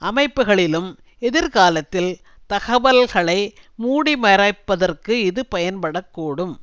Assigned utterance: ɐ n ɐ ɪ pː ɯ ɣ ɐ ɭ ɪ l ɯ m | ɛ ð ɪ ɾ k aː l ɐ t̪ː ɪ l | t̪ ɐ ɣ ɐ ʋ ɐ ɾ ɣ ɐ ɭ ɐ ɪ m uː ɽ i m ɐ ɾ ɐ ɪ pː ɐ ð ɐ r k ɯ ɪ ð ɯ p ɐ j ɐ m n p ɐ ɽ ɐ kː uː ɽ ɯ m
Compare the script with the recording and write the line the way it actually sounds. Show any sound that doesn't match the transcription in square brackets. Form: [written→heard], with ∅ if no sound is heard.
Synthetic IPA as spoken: ɐ [n→m] ɐ ɪ pː ɯ ɣ ɐ ɭ ɪ l ɯ m | ɛ ð ɪ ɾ k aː l ɐ t̪ː ɪ l | t̪ ɐ ɣ ɐ ʋ ɐ [ɾ→l] ɣ ɐ ɭ ɐ ɪ m uː ɽ i m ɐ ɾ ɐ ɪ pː ɐ ð ɐ r k ɯ ɪ ð ɯ p ɐ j ɐ [m→∅] n p ɐ ɽ ɐ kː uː ɽ ɯ m